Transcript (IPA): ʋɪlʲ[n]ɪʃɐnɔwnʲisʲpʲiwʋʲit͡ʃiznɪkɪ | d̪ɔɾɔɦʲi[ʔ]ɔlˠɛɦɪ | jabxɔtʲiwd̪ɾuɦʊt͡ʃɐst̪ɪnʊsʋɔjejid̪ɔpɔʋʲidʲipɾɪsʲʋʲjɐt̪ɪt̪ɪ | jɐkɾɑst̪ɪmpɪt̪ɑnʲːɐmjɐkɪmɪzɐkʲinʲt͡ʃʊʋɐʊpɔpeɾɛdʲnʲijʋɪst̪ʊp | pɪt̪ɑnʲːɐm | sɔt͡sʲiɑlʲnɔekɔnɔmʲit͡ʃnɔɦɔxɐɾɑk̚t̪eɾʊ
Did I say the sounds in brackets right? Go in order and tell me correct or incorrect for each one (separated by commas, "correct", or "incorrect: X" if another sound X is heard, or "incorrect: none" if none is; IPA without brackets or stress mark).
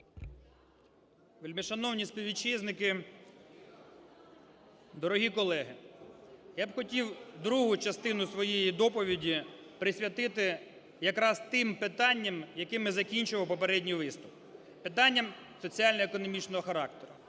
incorrect: m, incorrect: k